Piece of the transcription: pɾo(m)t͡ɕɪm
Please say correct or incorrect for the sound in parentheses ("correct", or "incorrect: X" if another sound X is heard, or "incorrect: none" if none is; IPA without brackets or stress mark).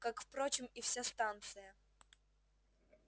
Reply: incorrect: none